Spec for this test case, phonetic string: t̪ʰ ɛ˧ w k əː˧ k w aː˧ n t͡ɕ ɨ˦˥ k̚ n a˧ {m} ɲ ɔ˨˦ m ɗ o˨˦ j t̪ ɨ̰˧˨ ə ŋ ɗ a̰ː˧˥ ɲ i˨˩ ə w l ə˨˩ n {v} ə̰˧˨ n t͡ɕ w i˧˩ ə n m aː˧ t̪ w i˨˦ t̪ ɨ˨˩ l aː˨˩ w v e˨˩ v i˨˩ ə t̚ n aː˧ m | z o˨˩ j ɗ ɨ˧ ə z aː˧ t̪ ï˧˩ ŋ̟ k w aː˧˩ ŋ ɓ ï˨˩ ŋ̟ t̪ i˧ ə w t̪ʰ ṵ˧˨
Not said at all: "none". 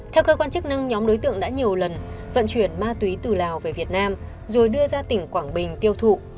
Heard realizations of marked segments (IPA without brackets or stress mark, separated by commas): ŋ, v